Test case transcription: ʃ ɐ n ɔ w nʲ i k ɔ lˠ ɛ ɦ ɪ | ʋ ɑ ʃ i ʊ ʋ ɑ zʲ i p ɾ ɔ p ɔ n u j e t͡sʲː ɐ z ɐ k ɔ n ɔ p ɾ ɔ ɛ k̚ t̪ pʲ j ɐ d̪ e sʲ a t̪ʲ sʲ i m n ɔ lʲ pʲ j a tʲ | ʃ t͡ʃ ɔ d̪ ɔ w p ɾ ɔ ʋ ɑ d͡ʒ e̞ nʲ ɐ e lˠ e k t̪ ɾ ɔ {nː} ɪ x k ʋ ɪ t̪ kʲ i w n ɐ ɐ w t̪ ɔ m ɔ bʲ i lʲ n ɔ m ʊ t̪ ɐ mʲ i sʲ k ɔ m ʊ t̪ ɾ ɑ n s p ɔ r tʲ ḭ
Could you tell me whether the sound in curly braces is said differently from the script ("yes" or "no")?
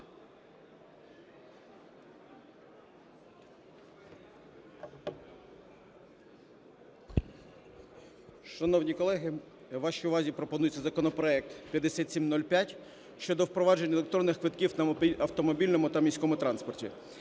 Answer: no